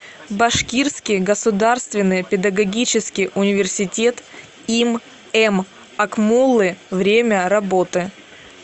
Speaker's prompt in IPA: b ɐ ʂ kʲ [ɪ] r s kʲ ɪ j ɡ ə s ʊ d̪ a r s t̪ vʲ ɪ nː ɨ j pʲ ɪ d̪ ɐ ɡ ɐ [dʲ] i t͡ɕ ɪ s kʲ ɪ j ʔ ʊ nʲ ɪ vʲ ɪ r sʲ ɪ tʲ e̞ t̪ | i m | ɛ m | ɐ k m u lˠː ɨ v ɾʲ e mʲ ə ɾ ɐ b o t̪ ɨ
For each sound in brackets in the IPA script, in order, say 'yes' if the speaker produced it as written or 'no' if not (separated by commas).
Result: no, no